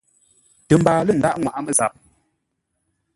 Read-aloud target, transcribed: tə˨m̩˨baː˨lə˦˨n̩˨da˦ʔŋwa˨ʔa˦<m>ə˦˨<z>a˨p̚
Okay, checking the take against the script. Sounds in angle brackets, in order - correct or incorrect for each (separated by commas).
correct, correct